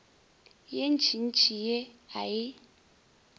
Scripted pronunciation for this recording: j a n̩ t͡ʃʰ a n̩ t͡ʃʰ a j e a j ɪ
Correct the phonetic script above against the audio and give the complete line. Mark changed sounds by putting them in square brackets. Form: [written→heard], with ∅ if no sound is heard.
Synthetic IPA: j [a→e] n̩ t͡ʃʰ [a→i] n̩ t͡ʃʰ [a→i] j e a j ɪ